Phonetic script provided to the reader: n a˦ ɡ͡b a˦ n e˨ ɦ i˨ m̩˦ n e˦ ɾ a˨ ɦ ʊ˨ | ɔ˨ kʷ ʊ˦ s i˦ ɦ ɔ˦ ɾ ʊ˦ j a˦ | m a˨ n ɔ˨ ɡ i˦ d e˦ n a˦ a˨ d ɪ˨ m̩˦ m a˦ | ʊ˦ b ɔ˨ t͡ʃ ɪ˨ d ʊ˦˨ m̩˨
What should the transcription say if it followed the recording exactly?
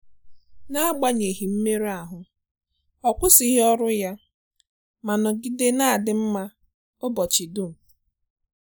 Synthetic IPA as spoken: n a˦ ɡ͡b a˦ ɲ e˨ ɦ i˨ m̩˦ m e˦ ɾ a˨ ɦ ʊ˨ | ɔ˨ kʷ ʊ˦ s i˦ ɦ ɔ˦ ɾ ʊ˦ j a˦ | m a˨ n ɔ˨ ɡ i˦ d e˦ n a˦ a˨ d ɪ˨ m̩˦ m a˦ | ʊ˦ b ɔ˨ t͡ʃ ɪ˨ d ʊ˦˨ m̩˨

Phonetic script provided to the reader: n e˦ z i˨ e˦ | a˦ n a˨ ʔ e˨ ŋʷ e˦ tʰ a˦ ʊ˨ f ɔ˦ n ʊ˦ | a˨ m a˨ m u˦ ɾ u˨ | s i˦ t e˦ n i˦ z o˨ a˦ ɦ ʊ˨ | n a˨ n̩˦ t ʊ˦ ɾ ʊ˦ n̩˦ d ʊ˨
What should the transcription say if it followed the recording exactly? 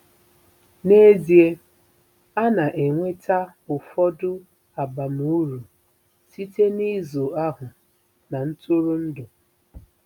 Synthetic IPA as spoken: n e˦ z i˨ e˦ | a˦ n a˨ ʔ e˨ ŋʷ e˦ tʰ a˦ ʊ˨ f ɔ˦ d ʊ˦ | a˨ b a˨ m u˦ ɾ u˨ | s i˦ t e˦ n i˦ z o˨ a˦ ɦ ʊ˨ | n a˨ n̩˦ t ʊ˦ ɾ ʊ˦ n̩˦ d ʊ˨

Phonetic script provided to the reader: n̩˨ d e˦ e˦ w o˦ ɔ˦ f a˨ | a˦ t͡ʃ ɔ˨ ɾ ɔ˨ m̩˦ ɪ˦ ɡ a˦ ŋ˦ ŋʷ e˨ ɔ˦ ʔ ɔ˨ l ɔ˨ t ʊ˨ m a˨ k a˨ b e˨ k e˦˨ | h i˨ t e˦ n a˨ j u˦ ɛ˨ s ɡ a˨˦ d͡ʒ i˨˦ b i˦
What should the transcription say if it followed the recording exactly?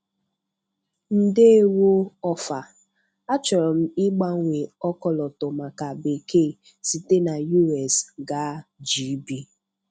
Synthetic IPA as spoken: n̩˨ d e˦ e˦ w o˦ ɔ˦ f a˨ | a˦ t͡ʃ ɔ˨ ɾ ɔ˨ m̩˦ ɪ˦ ɡ͡b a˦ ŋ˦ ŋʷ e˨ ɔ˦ k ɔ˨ l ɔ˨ t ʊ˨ m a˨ k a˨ b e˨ k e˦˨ | s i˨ t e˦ n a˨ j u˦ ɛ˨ s ɡ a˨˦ d͡ʒ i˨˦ b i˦

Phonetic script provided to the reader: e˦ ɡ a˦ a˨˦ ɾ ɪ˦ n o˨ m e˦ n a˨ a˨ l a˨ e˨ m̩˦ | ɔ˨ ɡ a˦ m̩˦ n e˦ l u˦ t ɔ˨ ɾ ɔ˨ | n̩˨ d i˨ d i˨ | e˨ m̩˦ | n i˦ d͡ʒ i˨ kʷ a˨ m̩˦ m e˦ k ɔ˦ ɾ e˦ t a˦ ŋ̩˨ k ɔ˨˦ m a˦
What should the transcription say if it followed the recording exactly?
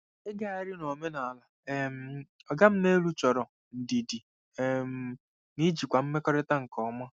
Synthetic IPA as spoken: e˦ ɡ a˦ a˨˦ ɾ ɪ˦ n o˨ m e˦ n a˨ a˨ l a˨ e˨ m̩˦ | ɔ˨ ɡ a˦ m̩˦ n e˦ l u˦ t͡ʃ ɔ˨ ɾ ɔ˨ | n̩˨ d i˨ d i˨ | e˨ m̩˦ | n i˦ d͡ʒ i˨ kʷ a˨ m̩˦ m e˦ k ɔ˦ ɾ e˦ t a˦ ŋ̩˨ k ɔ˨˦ m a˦

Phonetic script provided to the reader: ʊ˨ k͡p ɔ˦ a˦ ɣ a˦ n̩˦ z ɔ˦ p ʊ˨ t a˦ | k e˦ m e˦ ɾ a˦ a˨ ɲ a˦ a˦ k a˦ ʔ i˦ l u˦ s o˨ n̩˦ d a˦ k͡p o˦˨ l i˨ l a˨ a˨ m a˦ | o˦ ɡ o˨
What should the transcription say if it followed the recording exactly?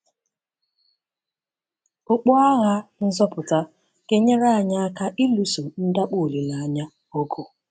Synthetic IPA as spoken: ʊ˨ k͡p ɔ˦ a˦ ɣ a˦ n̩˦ z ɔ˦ p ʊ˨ t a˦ | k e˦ ɲ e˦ ɾ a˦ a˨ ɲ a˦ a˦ k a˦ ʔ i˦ l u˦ s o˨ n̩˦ d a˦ k͡p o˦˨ l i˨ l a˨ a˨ ɲ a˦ | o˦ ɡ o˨

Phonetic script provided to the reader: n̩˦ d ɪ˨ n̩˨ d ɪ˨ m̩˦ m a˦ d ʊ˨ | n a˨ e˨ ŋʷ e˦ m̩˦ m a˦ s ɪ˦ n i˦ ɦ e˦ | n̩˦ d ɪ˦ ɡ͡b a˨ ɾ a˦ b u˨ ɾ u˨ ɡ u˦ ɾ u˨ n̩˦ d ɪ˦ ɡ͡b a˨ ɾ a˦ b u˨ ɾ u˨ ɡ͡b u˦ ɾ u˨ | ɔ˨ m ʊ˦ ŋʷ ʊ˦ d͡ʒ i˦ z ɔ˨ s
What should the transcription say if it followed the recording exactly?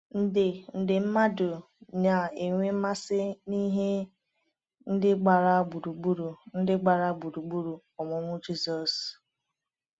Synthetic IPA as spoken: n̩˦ d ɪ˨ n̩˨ d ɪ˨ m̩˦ m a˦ d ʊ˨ | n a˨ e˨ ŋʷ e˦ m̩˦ m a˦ s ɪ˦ n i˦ ɦ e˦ | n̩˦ d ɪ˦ ɡ͡b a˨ ɾ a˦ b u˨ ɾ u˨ ɡ͡b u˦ ɾ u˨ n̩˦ d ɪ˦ ɡ͡b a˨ ɾ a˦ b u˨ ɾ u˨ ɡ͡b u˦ ɾ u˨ | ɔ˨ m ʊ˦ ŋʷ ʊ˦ d͡ʒ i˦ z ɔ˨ s

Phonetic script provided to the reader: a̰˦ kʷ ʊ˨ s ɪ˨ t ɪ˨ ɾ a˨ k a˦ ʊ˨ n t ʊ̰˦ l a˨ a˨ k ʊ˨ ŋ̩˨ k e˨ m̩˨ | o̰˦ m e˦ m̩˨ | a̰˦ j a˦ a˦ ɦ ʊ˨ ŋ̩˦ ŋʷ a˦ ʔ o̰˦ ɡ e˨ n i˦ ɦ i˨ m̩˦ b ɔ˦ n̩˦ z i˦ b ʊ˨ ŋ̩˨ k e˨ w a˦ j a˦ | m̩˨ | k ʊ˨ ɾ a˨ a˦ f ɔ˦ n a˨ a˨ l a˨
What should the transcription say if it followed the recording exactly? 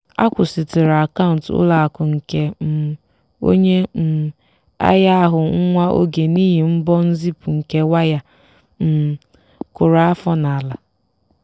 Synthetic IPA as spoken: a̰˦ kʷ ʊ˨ s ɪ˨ t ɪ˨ ɾ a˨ k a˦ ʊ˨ n t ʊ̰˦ l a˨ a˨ k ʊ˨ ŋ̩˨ k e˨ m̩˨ | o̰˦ ɲ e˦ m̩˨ | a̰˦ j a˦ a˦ ɦ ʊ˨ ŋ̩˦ ŋʷ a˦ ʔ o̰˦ ɡ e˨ n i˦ ɦ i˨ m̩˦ b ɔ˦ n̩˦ z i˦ p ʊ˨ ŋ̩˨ k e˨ w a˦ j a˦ | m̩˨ | k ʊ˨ ɾ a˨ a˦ f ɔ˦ n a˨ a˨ l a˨

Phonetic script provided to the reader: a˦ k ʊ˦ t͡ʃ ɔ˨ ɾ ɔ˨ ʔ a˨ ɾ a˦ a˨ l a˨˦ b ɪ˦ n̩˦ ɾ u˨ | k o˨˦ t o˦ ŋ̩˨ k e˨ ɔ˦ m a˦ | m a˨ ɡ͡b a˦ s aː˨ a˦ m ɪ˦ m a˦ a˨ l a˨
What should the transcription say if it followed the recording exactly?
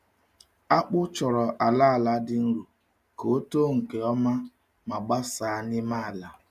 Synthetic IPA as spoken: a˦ k͡p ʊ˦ t͡ʃ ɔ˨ ɾ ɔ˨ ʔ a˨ l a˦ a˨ l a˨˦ d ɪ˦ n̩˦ ɾ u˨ | k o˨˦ t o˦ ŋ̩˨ k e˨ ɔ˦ m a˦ | m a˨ ɡ͡b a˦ s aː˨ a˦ n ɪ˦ m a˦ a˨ l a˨

